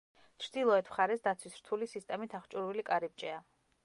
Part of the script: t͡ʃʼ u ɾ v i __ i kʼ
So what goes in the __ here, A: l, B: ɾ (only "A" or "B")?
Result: A